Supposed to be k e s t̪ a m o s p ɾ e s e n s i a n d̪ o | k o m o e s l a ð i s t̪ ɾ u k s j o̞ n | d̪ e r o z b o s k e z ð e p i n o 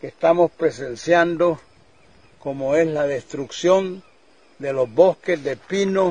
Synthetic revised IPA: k e s t̪ a m o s p ɾ e s e n s j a n d̪ o | k o m o e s l a ð e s t̪ ɾ u k s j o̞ n | d̪ e l o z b o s k e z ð e p i n o